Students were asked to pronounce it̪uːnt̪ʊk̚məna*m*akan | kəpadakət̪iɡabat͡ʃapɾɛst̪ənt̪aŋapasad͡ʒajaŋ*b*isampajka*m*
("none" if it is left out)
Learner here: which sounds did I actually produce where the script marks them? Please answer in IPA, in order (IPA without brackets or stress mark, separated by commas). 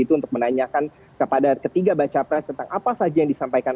ɲ, d, n